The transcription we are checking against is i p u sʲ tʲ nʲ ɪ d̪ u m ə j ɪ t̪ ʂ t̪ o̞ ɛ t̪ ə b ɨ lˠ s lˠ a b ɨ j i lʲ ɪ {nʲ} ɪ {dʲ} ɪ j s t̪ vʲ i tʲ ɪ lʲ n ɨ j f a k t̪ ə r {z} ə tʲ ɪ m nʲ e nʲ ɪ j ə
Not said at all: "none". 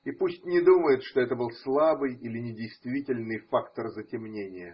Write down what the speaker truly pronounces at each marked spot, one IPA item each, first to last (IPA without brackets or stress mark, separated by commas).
nʲ, dʲ, z